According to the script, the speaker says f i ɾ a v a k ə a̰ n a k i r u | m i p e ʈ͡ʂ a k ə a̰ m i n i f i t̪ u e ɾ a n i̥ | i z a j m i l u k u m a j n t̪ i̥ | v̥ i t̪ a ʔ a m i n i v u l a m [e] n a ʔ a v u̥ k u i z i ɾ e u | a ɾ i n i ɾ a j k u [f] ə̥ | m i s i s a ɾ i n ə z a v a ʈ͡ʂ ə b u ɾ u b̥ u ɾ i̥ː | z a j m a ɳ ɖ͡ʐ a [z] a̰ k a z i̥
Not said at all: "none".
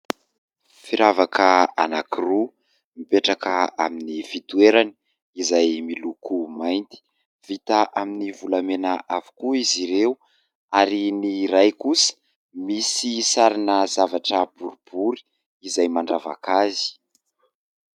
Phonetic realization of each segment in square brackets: e, s, v

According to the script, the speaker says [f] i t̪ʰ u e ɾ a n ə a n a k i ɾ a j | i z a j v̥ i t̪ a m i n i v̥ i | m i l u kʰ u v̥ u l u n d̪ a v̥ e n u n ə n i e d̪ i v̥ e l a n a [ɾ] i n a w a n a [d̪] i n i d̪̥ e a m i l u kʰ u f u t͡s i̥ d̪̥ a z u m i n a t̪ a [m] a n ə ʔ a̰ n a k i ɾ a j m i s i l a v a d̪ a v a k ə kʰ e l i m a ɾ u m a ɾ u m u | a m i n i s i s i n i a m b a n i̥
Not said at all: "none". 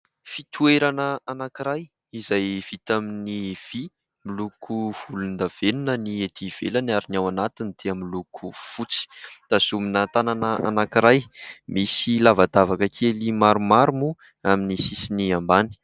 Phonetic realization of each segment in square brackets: f, ɾ, t̪, n

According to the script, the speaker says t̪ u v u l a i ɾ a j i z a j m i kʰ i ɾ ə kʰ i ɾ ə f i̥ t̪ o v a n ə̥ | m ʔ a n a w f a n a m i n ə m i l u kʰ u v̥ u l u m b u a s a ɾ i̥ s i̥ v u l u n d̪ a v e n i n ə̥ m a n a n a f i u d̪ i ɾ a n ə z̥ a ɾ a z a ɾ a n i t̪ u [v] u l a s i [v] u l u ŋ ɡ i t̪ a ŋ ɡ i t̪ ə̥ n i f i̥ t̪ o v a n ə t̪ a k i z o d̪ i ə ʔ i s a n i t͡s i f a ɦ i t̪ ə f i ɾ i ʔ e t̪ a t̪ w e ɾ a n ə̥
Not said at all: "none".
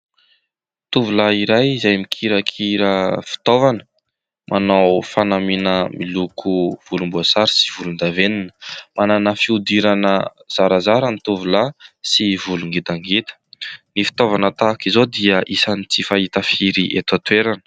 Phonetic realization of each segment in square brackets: v, v

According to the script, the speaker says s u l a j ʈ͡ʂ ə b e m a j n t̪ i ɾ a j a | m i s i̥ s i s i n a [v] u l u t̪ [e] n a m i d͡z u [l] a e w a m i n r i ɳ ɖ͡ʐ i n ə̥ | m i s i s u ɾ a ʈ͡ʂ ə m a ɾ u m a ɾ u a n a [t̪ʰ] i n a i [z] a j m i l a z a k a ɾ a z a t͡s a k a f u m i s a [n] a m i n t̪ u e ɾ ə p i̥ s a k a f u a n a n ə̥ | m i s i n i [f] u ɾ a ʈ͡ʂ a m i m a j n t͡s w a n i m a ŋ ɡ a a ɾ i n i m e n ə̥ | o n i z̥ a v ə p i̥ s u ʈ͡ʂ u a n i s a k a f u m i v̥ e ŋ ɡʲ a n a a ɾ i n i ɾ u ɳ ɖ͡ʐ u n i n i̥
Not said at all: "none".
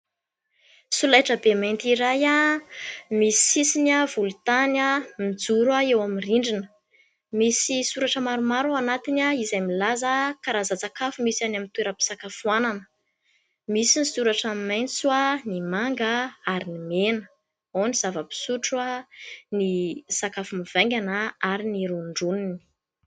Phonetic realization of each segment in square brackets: v, a, ɾ, t̪, z, n, s

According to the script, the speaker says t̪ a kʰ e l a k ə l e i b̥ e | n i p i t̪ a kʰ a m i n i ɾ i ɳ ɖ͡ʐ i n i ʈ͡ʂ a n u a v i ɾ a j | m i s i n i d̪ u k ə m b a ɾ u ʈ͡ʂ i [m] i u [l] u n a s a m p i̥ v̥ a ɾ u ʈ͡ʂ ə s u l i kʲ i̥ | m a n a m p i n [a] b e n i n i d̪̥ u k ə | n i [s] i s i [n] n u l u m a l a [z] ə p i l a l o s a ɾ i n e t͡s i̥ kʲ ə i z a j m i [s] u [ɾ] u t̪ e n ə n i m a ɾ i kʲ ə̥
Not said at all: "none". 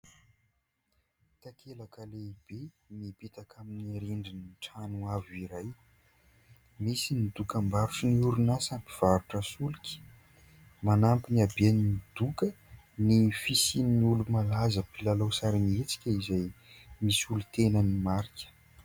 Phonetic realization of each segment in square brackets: n, ɾ, a, f, n, z, s, l

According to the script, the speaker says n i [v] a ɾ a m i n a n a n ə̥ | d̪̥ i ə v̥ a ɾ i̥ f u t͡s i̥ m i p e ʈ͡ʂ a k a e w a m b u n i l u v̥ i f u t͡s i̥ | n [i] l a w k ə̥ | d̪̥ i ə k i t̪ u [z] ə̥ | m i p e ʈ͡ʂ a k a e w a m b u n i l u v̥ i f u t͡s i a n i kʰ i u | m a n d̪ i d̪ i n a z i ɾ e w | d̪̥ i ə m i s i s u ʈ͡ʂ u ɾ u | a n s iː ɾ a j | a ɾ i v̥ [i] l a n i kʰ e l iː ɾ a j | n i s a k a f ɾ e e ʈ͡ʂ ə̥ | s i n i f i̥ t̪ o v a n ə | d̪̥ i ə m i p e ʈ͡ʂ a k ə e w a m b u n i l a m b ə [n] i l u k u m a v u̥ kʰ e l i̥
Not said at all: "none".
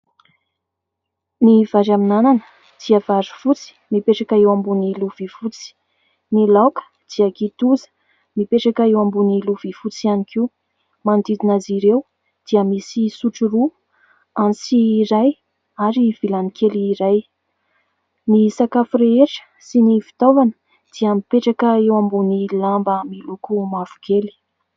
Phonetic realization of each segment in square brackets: v, i, z, i, m

